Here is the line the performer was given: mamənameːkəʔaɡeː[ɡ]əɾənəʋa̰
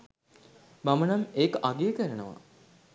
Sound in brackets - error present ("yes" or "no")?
yes